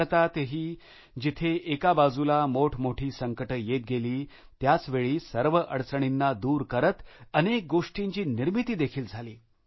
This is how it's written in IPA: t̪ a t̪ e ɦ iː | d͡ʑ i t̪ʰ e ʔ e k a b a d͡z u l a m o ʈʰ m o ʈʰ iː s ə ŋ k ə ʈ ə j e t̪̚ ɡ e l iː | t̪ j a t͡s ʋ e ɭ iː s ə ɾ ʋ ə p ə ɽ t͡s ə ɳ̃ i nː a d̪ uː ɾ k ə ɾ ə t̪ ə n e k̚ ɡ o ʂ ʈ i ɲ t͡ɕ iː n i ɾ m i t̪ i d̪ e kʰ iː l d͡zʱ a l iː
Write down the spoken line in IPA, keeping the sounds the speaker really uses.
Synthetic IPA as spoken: t̪ a t̪ e ɦ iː | d͡ʑ i t̪ʰ e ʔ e k a b a d͡z u l a m o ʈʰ m o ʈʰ iː s ə ŋ k ə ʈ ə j e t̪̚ ɡ e l iː | t̪ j a t͡s ʋ e ɭ iː s ə ɾ ʋ ə ʔ ə ɽ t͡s ə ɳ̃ i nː a d̪ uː ɾ k ə ɾ ə t̪ ə n e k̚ ɡ o ʂ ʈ i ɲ t͡ɕ iː n i ɾ m i t̪ iː d̪ e kʰ iː l d͡zʱ a l iː